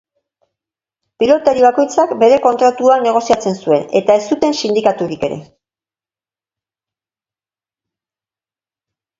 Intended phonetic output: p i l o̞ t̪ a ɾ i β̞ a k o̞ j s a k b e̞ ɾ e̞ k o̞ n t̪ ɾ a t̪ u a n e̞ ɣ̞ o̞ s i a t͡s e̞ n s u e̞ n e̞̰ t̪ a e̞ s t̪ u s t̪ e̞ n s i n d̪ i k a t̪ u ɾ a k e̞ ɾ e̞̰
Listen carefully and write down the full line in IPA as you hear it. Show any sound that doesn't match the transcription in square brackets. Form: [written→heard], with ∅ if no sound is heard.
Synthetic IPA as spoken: p i l o̞ t̪ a ɾ i β̞ a k o̞ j [s→t͡s] a k b e̞ ɾ e̞ k o̞ n t̪ ɾ a t̪ u a n e̞ ɣ̞ o̞ s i a t͡s e̞ n s u e̞ n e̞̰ t̪ a e̞ s t̪ u [s→∅] t̪ e̞ n s i n d̪ i k a t̪ u ɾ [a→i] k e̞ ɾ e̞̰